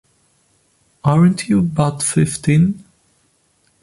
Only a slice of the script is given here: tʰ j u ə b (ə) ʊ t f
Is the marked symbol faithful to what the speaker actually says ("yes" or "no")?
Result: no